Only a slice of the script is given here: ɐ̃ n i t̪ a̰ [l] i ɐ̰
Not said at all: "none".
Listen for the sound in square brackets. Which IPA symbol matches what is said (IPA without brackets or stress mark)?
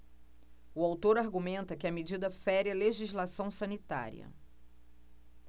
ɾ